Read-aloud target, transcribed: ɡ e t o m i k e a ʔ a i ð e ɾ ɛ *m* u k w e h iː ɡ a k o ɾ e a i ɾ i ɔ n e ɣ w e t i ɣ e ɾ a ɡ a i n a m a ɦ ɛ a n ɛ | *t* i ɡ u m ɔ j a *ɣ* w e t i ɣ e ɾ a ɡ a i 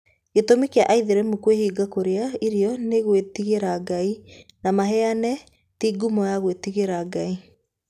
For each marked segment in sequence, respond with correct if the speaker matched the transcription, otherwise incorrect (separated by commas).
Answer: correct, correct, correct